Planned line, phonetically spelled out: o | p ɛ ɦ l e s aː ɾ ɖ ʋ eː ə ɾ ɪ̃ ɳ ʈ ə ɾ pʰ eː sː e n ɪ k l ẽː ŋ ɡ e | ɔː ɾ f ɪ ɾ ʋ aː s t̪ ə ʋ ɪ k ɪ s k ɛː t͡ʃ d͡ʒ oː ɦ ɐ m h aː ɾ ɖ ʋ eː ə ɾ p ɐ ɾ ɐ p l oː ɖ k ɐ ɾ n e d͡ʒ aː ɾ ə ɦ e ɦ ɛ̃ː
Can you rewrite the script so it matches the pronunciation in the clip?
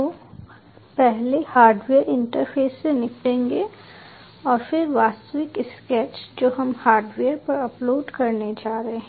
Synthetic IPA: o | p ɛ ɦ l e h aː ɾ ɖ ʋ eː ə ɾ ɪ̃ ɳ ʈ ə ɾ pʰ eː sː e n ɪ k l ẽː ŋ ɡ e | ɔː ɾ f ɪ ɾ ʋ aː s t̪ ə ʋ ɪ k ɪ s k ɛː t͡ʃ d͡ʒ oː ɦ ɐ m h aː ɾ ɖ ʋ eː ə ɾ p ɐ ɾ ɐ p l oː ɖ k ɐ ɾ n e d͡ʒ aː ɾ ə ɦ e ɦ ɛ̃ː